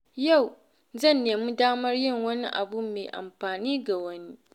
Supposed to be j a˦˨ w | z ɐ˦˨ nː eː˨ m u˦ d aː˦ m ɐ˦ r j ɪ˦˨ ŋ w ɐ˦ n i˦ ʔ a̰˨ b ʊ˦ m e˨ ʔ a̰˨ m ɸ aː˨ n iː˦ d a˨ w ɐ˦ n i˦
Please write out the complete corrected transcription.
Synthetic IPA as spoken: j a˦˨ w | z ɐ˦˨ nː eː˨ m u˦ d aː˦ m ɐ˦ r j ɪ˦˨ ŋ w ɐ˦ n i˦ ʔ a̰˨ b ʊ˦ m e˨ ʔ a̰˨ m ɸ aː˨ n iː˦ ɡ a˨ w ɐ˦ n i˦